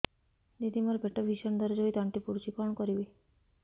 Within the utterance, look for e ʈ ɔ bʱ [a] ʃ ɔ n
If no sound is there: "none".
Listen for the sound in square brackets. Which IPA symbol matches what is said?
i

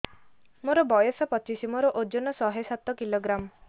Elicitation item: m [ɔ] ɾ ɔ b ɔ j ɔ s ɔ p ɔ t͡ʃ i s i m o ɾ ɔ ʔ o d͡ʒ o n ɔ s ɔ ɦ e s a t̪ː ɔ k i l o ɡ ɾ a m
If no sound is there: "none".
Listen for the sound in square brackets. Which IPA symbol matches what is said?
o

